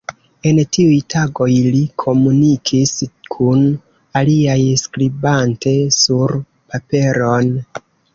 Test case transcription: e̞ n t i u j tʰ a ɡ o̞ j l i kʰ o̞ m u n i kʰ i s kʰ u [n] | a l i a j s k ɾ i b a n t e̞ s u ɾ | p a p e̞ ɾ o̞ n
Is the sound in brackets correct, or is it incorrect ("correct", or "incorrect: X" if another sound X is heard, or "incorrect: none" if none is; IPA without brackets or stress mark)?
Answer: correct